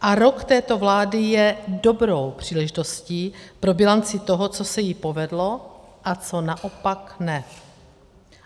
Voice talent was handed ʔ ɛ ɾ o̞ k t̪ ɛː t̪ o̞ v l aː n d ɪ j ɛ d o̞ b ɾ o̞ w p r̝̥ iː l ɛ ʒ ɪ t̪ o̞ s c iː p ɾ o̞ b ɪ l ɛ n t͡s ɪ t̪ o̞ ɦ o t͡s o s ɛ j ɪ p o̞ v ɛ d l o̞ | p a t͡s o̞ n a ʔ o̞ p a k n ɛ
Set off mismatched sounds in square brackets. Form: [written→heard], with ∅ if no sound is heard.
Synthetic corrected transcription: ʔ [ɛ→a] ɾ o̞ k t̪ ɛː t̪ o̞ v l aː [n→∅] d ɪ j ɛ d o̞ b ɾ o̞ w p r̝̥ iː l ɛ ʒ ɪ t̪ o̞ s c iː p ɾ o̞ b ɪ l [ɛ→a] n t͡s ɪ t̪ o̞ ɦ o t͡s o s ɛ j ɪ p o̞ v ɛ d l o̞ | [p→ʔ] a t͡s o̞ n a ʔ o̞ p a k n ɛ